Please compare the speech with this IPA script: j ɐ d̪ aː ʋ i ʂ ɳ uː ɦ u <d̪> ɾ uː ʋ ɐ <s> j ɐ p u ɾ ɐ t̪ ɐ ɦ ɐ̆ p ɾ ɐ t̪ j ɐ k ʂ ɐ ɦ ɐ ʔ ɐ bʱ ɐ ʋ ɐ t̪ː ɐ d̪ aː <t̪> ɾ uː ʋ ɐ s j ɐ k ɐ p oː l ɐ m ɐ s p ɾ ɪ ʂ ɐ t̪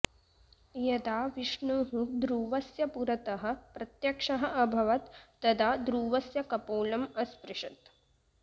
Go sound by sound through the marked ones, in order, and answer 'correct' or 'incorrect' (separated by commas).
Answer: correct, correct, incorrect